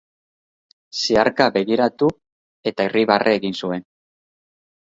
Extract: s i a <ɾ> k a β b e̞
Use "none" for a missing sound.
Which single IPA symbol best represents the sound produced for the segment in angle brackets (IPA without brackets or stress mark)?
ɾ